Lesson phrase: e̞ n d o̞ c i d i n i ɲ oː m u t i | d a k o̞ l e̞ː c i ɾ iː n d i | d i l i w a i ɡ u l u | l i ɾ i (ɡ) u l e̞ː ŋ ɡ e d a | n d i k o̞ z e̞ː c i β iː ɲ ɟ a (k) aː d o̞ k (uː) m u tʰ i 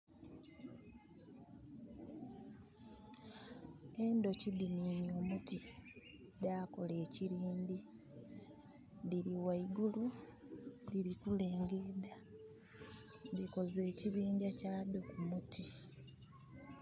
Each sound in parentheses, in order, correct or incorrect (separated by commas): incorrect, incorrect, incorrect